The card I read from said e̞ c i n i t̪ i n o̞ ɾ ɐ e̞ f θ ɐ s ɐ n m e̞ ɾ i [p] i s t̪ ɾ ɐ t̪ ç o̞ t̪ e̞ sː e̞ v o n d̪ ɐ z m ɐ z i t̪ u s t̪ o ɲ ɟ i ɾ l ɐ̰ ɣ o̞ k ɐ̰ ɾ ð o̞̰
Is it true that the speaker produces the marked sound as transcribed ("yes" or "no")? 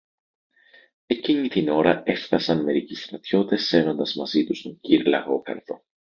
no